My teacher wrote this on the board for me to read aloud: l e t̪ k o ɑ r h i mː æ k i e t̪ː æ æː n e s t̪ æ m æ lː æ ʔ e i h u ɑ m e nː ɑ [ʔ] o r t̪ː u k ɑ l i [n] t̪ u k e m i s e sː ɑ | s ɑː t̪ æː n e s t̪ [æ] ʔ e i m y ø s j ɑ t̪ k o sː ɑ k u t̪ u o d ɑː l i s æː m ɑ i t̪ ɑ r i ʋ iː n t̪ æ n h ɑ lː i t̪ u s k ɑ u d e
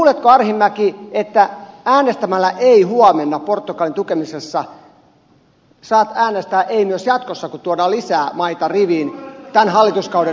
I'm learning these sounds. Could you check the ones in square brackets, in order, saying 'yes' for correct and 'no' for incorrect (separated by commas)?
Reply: no, yes, no